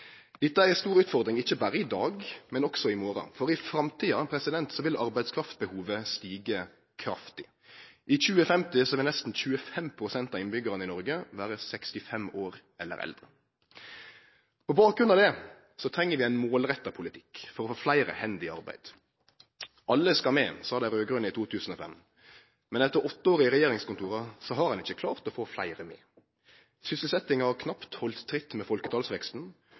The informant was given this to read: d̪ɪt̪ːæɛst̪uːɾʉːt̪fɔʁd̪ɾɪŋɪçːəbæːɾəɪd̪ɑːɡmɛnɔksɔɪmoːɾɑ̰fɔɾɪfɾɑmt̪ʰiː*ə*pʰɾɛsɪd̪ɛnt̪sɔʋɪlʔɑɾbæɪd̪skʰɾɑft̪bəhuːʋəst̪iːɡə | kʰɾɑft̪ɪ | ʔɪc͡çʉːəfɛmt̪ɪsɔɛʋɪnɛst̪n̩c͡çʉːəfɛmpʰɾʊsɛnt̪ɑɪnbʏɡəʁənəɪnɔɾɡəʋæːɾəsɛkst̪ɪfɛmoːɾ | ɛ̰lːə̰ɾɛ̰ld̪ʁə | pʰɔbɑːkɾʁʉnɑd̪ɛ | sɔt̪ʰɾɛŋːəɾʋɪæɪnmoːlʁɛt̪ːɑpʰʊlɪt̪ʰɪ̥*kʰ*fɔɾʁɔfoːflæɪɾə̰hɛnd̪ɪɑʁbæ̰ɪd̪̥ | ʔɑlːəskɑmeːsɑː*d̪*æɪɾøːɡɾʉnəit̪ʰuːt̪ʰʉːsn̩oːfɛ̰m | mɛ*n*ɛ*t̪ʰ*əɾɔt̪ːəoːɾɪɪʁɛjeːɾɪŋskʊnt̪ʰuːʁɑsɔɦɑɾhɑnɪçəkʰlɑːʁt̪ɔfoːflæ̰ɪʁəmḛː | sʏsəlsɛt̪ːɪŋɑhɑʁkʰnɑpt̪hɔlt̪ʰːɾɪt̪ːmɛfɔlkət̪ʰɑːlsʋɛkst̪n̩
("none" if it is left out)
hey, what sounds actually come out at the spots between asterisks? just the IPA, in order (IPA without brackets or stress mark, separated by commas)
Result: ɑ, k, d̪, n, t̪